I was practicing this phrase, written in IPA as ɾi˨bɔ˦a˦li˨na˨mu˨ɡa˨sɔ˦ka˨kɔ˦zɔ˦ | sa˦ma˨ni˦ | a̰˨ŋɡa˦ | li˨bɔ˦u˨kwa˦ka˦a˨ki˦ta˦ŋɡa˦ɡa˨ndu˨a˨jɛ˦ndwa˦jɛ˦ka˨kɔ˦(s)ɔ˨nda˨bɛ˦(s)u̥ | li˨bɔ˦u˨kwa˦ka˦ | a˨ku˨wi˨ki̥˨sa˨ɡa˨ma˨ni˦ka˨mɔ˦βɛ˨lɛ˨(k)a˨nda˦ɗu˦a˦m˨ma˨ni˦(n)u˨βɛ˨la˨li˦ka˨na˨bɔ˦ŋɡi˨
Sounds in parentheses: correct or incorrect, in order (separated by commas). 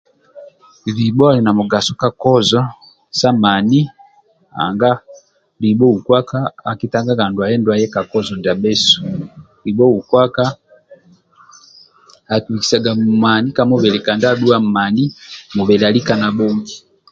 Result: incorrect, correct, correct, incorrect